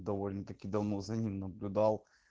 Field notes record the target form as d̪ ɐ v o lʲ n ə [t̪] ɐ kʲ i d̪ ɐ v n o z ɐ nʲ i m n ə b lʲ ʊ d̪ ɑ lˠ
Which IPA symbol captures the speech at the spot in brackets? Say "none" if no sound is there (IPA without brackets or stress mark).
t̪